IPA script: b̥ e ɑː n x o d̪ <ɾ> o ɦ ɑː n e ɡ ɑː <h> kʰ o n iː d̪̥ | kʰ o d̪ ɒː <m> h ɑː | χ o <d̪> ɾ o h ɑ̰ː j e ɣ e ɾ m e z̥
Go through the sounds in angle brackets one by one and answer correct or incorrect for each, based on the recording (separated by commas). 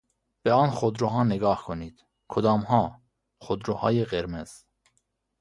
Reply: correct, correct, correct, correct